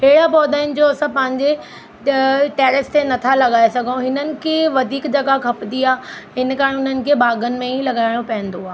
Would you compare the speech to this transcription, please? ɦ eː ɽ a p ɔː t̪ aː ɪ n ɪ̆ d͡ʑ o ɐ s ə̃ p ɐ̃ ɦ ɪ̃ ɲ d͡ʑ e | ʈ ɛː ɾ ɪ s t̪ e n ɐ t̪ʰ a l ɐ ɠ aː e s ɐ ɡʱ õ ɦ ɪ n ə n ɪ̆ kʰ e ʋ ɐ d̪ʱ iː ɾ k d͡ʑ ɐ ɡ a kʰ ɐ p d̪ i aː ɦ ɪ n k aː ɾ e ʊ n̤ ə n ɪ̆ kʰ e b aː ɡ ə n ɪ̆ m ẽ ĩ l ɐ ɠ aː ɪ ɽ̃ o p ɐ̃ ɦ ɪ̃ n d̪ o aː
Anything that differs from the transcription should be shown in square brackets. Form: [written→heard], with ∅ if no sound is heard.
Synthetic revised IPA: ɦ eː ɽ a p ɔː [t̪→d̪] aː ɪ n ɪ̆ d͡ʑ o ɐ s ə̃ p ɐ̃ ɦ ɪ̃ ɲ d͡ʑ e | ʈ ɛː ɾ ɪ s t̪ e n ɐ t̪ʰ a l ɐ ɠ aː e s ɐ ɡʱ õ ɦ ɪ n ə n ɪ̆ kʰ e ʋ ɐ d̪ʱ iː [ɾ→∅] k d͡ʑ ɐ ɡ a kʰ ɐ p d̪ i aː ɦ ɪ n k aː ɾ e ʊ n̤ ə n ɪ̆ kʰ e b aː ɡ ə n ɪ̆ m ẽ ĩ l ɐ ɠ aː ɪ ɽ̃ o p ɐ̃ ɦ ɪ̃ n d̪ o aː